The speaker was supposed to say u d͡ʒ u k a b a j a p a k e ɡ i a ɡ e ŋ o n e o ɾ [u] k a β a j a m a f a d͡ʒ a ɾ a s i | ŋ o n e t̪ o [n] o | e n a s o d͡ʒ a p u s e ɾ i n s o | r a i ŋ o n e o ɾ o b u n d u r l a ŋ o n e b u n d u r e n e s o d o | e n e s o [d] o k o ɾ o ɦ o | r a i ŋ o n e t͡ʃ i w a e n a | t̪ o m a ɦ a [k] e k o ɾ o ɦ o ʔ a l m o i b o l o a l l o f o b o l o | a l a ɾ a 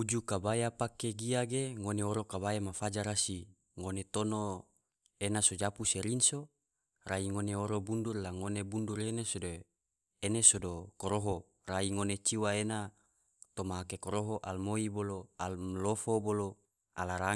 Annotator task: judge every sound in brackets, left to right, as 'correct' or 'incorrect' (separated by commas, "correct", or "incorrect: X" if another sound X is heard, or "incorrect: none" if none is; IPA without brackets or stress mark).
incorrect: o, correct, correct, correct